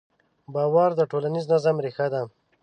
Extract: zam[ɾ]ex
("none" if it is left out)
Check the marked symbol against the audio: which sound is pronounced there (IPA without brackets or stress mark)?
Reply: ɾ